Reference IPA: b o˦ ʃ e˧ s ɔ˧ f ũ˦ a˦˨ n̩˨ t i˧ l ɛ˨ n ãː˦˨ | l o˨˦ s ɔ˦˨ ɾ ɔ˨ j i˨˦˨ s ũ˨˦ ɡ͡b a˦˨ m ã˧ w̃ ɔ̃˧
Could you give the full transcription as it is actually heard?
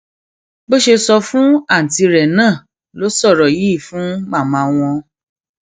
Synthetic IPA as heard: b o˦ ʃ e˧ s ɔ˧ f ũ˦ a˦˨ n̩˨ t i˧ ɾ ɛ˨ n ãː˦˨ | l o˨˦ s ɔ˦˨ ɾ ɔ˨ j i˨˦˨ f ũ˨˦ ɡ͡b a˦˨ m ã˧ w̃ ɔ̃˧